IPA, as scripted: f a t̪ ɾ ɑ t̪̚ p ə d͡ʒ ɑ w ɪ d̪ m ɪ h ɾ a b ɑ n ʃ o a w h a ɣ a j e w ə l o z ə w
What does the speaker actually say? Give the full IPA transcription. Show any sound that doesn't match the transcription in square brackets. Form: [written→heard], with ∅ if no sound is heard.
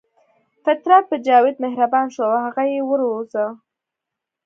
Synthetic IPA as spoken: f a t̪ ɾ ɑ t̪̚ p ə d͡ʒ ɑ w ɪ d̪ m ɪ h ɾ a b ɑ n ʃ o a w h a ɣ a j e w ə [l→ɾ] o z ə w